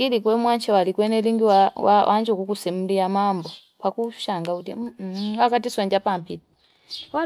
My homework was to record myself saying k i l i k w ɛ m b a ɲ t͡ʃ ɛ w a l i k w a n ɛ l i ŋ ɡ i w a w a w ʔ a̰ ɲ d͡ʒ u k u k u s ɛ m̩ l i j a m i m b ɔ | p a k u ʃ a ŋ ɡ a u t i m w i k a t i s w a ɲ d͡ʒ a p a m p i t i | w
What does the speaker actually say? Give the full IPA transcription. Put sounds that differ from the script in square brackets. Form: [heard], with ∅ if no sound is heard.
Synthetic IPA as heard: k i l i k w ɛ m [w] a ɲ t͡ʃ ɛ w a l i k w [ɛ] n ɛ l i ŋ ɡ i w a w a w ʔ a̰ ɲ d͡ʒ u k u k u s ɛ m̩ l i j a m [a] m b ɔ | p a k u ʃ a ŋ ɡ a u t i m w [a] k a t i s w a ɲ d͡ʒ a p a m p i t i | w